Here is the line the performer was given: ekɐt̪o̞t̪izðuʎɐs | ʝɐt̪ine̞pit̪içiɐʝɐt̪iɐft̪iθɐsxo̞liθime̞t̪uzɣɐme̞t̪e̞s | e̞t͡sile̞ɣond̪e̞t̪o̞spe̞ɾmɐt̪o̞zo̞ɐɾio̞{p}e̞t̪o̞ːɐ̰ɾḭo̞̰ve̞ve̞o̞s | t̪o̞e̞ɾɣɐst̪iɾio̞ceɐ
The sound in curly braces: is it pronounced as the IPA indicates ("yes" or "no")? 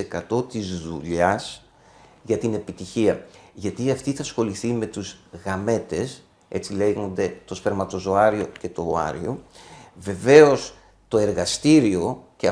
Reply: no